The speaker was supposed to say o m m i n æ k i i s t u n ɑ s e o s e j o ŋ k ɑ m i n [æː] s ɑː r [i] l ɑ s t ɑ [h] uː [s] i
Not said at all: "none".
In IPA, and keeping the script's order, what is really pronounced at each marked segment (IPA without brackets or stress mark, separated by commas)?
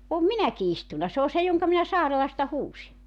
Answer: æ, e, h, s